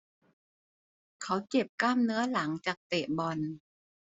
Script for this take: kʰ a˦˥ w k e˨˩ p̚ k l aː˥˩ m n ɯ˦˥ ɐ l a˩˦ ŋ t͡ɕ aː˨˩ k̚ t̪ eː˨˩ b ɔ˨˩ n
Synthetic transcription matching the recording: kʰ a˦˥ w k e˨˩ p̚ k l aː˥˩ m n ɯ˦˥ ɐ l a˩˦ ŋ t͡ɕ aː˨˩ k̚ t̪ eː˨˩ b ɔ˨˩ n